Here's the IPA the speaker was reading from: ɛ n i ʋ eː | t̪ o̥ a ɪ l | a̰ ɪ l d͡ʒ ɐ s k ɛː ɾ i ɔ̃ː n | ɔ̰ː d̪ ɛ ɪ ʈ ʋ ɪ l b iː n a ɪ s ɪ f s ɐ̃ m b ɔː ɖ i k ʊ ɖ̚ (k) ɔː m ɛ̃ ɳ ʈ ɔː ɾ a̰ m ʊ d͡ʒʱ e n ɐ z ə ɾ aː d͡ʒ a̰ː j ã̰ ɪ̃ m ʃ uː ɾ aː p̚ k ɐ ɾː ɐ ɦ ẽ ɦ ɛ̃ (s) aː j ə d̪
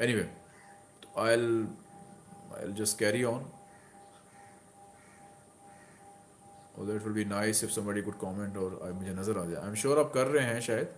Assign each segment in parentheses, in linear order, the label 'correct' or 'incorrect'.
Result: correct, incorrect

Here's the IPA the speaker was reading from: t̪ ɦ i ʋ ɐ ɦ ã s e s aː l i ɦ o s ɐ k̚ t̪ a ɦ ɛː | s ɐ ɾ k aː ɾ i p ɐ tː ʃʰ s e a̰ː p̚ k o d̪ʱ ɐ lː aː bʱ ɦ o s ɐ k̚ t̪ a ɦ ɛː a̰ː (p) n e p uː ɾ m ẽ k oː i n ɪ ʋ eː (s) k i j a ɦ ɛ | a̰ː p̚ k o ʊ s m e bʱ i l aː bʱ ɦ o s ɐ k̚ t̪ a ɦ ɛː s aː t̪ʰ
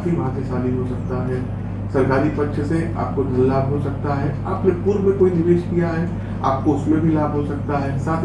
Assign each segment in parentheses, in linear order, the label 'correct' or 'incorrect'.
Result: correct, incorrect

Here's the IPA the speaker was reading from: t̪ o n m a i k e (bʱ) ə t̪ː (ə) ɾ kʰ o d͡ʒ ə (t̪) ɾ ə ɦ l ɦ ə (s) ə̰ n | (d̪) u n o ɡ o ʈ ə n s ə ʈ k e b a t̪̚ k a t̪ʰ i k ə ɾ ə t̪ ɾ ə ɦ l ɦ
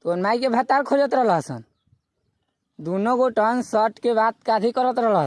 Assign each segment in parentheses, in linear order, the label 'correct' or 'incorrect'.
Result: correct, incorrect, correct, correct, correct

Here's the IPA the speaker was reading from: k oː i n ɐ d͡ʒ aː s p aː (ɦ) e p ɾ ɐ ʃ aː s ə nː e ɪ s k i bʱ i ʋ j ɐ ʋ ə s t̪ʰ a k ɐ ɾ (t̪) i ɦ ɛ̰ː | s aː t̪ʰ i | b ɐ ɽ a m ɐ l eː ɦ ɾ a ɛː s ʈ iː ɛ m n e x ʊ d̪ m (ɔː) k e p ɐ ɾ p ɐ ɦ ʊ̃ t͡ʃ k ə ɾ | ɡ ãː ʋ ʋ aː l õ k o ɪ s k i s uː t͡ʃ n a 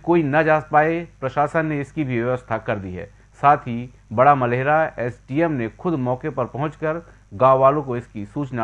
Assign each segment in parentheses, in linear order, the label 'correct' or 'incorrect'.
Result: incorrect, incorrect, correct

